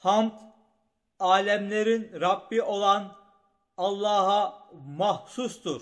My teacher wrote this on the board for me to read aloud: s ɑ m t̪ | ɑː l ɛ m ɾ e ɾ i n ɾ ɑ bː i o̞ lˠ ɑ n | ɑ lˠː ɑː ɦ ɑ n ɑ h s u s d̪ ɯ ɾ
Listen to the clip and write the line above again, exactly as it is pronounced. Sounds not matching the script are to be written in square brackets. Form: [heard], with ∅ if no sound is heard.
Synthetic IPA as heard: [h] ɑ m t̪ | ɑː l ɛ m [l] e ɾ i n ɾ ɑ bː i o̞ lˠ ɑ n | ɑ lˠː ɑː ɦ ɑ [m] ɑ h s u s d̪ [u] ɾ